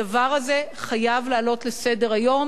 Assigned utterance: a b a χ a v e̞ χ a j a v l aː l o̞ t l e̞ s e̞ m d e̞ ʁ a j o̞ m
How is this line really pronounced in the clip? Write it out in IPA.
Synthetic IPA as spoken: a v a ʁ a z e̞ χ a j a v l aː l o̞ t l e̞ s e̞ d e̞ ʁ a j o̞ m